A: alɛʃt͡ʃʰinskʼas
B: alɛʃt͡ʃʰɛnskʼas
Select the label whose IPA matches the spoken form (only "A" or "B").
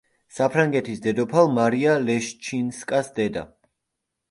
A